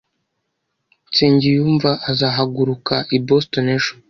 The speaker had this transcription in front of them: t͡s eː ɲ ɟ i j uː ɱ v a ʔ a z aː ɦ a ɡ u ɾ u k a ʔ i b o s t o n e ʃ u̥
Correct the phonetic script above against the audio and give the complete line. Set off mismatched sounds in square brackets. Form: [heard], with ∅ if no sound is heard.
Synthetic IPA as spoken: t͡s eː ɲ ɟ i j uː ɱ v a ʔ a z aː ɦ a ɡ u ɾ u k a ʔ i b o s t o n e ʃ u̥